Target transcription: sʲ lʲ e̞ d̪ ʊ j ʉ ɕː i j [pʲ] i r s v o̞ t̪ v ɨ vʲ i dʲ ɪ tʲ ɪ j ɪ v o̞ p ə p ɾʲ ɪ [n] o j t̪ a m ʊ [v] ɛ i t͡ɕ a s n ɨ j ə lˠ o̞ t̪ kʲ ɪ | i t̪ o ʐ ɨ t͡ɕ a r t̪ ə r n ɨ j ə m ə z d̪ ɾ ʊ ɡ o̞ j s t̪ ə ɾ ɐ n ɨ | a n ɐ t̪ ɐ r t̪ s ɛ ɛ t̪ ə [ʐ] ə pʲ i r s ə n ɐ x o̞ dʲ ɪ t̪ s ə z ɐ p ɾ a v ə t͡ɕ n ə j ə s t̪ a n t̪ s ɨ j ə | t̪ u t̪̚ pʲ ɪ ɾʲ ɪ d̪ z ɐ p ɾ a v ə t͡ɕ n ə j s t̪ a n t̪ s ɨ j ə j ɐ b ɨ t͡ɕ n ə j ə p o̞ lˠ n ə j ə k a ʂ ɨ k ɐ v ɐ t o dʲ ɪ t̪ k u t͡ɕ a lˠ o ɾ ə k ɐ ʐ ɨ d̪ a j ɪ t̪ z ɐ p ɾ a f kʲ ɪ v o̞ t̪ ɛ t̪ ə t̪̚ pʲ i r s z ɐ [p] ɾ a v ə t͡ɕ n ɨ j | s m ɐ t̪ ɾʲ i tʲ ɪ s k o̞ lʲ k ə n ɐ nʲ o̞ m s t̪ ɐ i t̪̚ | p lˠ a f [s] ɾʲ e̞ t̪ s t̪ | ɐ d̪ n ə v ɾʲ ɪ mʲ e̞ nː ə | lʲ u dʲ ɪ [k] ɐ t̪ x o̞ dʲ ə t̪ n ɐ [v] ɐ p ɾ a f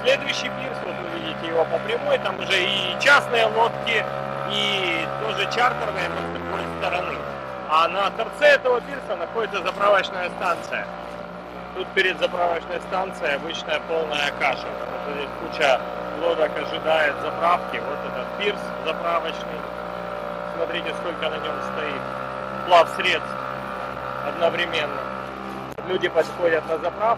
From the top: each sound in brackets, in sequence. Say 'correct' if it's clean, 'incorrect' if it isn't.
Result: correct, incorrect: m, incorrect: ʐ, incorrect: v, correct, correct, incorrect: p, incorrect: z

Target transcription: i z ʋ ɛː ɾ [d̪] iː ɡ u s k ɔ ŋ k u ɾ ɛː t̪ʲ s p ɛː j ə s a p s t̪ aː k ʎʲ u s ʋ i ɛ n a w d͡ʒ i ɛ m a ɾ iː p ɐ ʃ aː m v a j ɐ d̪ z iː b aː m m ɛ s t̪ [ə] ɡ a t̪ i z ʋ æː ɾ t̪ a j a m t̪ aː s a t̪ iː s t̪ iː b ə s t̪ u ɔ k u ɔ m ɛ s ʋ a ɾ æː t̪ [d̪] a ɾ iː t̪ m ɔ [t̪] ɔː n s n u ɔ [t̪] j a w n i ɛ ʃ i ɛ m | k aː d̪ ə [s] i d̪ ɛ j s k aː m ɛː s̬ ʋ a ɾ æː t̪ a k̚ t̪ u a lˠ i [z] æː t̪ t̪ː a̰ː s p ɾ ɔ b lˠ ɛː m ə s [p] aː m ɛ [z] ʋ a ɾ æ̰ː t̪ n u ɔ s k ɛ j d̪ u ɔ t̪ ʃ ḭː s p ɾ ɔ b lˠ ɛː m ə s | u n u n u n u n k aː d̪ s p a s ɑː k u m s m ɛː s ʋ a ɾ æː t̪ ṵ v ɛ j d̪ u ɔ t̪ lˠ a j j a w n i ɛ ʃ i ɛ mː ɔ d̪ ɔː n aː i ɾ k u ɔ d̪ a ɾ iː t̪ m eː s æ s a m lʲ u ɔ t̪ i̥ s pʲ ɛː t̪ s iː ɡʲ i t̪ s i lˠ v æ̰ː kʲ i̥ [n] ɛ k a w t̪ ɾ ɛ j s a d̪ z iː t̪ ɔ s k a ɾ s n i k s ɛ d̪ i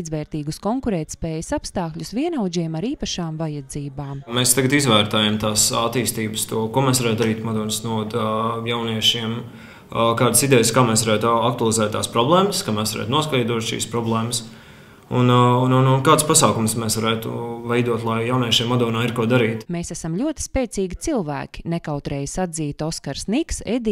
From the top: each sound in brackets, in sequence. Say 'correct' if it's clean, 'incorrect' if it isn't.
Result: incorrect: t̪, incorrect: a, correct, incorrect: d̪, incorrect: d̪, correct, correct, incorrect: k, incorrect: s, correct

